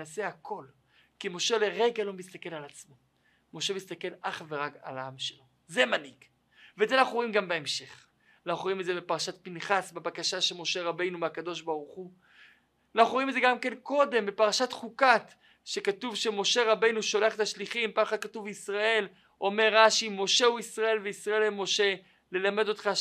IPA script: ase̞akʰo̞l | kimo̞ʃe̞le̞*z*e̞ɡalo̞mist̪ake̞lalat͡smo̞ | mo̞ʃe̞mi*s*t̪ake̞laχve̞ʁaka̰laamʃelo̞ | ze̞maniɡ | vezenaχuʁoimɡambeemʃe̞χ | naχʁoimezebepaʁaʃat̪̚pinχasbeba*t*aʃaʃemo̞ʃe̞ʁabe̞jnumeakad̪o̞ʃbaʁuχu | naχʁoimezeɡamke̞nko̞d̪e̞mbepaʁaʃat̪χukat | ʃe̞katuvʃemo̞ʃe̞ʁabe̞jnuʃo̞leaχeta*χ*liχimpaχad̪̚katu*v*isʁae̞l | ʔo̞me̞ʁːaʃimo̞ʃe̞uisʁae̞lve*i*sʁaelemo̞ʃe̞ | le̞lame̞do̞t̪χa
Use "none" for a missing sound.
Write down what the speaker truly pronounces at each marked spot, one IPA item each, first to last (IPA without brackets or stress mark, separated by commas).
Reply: ʁ, s, k, ʃ, v, i